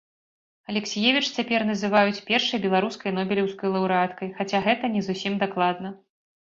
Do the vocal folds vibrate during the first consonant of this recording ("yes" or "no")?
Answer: yes